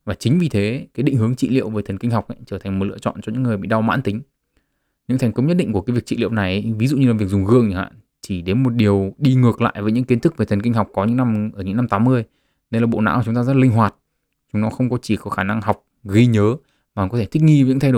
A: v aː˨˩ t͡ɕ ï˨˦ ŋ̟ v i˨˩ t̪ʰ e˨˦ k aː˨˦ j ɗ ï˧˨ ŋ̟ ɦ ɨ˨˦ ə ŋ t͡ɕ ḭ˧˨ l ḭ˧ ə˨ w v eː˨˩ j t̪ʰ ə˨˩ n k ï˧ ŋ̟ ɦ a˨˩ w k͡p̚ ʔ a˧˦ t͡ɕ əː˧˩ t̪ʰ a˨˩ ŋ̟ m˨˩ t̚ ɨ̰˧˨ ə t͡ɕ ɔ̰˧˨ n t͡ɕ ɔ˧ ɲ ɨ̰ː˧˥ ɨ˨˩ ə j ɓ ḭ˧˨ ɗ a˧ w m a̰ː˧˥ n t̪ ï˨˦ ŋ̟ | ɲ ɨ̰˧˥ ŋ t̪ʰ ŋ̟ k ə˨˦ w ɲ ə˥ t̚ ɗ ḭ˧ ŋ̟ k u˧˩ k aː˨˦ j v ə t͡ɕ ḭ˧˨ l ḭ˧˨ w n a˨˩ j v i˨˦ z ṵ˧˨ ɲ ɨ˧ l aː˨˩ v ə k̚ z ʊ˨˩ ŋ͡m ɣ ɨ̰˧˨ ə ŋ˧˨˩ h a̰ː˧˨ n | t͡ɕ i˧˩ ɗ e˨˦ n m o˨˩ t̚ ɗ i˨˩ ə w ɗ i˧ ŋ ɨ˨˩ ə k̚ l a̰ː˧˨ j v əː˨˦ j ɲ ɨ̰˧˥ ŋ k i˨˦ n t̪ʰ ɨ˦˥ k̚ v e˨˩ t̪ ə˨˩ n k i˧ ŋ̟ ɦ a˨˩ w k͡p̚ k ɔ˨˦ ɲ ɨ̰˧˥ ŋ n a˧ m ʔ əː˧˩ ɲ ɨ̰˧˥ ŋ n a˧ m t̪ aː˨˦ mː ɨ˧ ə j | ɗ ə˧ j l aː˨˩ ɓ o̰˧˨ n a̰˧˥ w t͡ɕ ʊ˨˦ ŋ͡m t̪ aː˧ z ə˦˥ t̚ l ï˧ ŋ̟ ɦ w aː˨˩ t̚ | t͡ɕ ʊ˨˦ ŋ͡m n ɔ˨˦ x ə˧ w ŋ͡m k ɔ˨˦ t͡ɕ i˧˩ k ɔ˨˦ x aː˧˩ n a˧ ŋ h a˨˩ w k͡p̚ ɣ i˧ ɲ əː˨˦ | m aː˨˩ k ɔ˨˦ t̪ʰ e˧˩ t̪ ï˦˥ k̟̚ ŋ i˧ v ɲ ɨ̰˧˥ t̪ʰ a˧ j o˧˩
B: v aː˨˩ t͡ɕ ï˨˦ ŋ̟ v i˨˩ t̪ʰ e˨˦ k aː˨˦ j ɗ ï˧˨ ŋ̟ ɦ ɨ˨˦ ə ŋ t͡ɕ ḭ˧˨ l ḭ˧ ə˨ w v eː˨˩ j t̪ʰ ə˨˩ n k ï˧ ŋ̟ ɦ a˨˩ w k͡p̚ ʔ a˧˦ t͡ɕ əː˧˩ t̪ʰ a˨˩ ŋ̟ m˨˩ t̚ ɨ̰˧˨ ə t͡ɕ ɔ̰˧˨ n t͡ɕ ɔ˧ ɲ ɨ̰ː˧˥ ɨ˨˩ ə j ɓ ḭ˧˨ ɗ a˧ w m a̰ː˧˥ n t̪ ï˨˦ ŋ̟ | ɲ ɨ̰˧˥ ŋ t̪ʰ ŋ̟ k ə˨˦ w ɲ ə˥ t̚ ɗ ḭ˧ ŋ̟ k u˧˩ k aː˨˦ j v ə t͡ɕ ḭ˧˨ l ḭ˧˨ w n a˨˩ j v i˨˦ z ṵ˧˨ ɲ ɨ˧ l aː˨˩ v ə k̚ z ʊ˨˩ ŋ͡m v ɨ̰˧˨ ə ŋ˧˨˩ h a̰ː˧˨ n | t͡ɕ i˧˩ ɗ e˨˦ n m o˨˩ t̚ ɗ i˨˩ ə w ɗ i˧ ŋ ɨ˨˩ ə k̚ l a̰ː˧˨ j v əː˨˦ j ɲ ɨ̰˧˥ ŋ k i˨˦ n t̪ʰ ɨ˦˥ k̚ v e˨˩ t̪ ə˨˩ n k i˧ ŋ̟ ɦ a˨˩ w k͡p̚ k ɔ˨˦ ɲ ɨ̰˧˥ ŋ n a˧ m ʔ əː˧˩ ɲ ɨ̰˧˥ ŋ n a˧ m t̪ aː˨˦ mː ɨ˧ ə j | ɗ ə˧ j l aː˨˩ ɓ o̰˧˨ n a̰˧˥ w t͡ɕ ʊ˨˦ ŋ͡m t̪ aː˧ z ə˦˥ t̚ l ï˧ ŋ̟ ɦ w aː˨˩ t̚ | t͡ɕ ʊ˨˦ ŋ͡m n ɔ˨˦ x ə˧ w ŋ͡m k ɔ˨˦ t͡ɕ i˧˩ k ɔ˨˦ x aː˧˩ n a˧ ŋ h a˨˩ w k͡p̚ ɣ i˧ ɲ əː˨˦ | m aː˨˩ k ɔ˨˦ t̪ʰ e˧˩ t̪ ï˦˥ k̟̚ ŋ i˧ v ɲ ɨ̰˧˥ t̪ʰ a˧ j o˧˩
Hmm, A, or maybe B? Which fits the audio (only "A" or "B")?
A